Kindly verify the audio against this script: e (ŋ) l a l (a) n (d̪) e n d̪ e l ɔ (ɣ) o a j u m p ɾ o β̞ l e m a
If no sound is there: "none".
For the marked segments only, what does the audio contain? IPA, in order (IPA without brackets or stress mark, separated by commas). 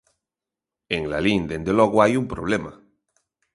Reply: ŋ, i, d̪, ɣ